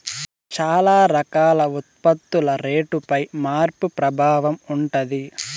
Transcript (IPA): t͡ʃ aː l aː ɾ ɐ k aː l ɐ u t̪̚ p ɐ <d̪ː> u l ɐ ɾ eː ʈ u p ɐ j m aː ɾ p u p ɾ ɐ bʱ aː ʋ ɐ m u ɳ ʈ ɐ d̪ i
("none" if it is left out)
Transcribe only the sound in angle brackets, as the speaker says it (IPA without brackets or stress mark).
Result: t̪ː